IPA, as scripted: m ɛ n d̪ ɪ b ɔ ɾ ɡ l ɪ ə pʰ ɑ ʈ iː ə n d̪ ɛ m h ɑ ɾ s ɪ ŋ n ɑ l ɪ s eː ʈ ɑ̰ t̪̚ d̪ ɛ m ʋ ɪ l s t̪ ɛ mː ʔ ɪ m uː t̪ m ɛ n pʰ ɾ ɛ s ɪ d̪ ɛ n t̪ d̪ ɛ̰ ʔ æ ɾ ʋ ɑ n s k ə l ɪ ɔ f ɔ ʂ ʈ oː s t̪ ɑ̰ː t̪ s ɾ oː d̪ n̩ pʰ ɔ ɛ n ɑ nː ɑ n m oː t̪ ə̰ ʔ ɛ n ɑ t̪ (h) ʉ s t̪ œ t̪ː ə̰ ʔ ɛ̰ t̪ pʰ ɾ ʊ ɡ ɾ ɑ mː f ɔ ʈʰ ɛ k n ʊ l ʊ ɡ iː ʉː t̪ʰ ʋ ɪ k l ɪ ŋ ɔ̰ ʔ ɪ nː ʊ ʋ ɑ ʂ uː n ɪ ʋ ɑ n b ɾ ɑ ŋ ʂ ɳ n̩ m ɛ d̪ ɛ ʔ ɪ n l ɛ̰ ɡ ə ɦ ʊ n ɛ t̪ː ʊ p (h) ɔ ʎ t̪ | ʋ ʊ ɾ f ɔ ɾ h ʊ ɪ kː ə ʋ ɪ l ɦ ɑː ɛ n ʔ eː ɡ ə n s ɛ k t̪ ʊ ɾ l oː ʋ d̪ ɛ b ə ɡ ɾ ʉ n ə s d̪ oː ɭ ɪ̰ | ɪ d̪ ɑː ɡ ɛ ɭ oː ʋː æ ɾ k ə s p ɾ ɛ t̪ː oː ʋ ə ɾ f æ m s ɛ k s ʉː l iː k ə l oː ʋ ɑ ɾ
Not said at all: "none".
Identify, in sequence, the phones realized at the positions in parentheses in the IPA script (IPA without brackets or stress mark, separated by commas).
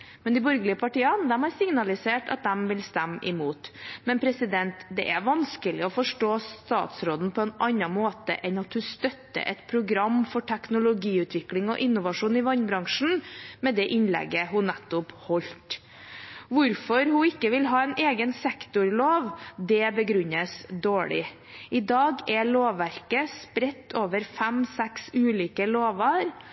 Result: h, h